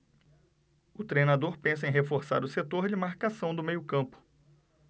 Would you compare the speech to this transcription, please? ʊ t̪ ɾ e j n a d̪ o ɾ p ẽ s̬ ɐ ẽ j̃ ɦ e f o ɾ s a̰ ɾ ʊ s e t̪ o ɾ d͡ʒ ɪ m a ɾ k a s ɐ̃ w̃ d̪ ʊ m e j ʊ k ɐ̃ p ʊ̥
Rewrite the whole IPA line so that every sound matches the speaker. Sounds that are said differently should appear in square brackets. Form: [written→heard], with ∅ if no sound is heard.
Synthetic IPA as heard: ʊ t̪ ɾ e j n a d̪ o ɾ p ẽ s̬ ɐ ẽ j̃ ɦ e f o ɾ s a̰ ɾ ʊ s e t̪ o ɾ d͡ʒ ɪ m a ɾ k a s ɐ̃ w̃ d̪ ʊ m e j ʊ k ɐ̃ p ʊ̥

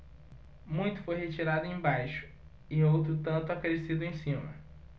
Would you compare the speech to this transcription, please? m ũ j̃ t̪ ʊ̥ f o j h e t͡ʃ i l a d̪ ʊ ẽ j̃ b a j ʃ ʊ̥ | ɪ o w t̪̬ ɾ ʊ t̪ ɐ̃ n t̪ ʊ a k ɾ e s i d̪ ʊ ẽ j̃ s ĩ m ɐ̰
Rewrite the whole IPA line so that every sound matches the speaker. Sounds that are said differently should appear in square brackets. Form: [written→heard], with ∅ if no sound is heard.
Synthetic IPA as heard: m ũ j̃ t̪ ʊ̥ f o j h e t͡ʃ i [l→ɾ] a d̪ ʊ ẽ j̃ b a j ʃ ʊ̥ | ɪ o w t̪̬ ɾ ʊ t̪ ɐ̃ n t̪ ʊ a k ɾ e s i d̪ ʊ ẽ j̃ s ĩ m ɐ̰

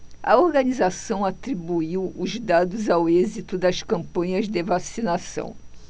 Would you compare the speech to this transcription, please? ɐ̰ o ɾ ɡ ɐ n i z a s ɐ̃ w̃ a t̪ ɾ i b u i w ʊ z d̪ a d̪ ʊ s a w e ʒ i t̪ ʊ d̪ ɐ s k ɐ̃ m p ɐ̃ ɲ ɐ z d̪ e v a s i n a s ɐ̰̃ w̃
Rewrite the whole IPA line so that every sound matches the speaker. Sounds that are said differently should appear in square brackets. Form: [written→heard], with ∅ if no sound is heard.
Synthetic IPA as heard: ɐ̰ o ɾ ɡ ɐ n i z a s ɐ̃ w̃ a t̪ ɾ i b u i w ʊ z d̪ a d̪ ʊ [s→z] a w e [ʒ→z] i t̪ ʊ d̪ ɐ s k ɐ̃ m p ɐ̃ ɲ ɐ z d̪ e v a s i n a s ɐ̰̃ w̃

